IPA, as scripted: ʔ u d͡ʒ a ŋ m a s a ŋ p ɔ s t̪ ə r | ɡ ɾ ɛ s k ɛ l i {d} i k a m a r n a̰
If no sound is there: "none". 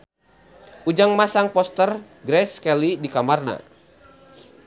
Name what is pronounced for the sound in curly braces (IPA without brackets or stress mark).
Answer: d